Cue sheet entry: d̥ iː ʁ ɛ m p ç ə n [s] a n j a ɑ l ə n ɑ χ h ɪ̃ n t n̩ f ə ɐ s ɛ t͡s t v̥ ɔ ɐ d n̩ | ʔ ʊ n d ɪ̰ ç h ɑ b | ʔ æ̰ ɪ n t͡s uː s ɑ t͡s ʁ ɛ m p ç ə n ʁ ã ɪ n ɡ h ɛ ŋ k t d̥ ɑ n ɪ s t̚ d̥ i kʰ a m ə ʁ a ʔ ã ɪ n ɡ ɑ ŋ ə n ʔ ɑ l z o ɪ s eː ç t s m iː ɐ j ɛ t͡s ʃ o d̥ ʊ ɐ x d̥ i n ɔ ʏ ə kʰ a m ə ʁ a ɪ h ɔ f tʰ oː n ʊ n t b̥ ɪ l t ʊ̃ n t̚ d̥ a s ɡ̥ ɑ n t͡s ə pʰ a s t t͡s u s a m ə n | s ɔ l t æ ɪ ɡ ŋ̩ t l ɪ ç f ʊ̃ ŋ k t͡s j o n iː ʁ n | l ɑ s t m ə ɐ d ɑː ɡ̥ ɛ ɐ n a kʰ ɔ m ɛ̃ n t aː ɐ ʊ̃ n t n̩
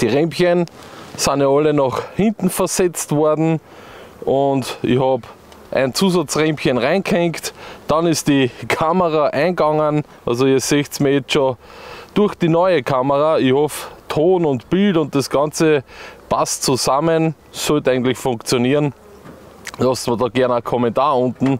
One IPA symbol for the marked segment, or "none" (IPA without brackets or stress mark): s